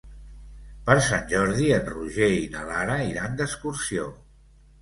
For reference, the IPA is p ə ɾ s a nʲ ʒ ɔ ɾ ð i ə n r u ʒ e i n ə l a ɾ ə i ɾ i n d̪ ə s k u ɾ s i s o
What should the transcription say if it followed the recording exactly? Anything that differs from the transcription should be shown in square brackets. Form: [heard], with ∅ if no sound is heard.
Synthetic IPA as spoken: p ə ɾ s a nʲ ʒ ɔ ɾ ð i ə n r u ʒ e i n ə l a ɾ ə i ɾ [a] n d̪ ə s k u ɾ s i [∅] o